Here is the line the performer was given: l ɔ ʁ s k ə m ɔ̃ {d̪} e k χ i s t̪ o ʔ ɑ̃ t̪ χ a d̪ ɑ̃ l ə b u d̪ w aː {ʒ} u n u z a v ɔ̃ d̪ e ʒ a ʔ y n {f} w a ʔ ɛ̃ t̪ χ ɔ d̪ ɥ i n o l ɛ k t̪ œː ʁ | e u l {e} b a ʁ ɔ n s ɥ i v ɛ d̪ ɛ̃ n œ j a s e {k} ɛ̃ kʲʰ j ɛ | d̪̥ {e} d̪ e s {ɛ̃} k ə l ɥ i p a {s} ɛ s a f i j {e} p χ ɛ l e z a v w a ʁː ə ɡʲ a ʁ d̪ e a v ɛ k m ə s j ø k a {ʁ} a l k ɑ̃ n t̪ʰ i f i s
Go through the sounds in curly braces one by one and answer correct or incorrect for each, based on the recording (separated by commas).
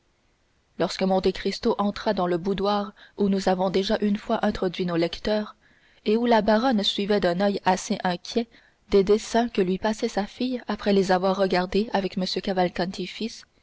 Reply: incorrect, incorrect, correct, incorrect, incorrect, correct, correct, correct, incorrect, incorrect